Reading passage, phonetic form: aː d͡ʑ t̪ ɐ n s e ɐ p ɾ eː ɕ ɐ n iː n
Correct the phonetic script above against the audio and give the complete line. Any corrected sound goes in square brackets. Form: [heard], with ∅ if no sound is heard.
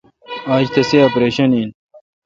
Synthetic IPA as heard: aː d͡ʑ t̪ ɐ [∅] s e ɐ p ɾ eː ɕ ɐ n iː n